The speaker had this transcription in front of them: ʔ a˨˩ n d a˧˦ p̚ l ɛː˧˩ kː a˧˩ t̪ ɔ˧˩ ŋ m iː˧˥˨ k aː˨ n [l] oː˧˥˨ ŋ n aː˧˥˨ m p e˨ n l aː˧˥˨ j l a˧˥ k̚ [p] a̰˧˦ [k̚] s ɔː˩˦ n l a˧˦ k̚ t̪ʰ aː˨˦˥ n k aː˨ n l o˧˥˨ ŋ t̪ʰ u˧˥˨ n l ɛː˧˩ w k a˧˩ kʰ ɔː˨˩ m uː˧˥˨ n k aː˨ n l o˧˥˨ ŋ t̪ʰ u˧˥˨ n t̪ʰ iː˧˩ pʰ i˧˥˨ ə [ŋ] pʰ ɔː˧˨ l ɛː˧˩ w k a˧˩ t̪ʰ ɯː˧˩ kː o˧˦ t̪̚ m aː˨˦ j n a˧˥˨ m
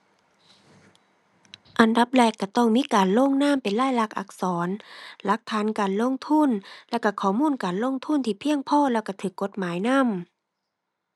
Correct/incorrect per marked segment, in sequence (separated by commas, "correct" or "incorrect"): correct, incorrect, correct, correct